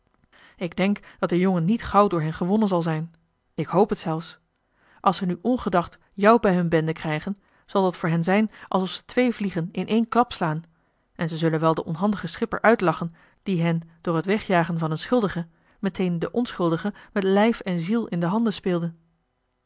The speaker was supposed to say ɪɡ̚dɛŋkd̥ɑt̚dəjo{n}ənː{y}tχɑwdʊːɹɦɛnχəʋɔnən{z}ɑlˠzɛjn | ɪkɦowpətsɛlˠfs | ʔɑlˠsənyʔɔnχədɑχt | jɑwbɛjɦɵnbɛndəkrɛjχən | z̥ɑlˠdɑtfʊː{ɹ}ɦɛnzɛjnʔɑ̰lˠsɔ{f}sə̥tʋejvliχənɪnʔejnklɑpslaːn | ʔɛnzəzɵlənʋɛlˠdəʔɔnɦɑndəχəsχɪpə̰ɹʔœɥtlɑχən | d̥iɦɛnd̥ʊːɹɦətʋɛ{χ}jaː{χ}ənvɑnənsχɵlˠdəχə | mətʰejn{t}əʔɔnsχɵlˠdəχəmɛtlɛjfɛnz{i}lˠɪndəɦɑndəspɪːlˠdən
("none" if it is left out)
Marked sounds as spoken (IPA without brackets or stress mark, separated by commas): ŋ, i, z, ɹ, f, χ, χ, d, i